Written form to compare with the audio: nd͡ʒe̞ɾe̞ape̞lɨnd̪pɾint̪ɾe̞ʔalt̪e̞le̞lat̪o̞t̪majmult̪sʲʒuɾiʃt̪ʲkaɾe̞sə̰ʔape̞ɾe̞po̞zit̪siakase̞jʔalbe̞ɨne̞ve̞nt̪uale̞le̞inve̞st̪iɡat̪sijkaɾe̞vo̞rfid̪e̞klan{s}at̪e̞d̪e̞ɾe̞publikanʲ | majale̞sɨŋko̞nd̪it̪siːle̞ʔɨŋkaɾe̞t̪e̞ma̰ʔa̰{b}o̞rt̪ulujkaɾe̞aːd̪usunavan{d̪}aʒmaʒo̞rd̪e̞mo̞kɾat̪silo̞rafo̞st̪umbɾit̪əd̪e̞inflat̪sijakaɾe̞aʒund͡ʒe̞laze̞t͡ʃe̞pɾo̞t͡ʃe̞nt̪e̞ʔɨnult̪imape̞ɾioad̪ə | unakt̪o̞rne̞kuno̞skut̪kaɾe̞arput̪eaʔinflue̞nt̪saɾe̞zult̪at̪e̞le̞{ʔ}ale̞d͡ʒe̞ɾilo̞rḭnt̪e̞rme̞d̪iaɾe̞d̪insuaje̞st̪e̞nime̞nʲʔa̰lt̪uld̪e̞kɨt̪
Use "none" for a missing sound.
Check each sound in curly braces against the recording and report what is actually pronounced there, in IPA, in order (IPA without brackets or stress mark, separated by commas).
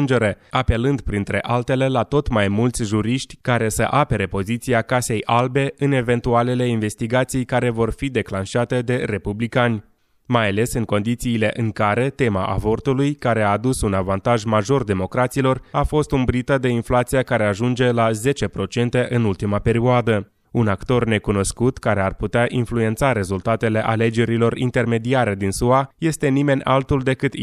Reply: ʃ, v, t̪, ʔ